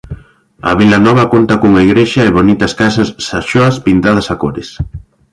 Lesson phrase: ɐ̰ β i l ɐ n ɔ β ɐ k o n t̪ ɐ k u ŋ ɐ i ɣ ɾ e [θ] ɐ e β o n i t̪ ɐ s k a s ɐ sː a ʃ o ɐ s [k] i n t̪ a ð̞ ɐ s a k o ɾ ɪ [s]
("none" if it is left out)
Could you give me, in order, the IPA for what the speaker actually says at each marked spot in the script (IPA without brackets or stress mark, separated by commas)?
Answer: ʃ, p, s